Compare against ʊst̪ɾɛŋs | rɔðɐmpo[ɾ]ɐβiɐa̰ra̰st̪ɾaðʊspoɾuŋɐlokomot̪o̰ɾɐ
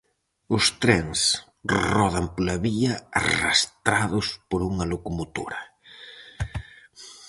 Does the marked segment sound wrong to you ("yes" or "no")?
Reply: yes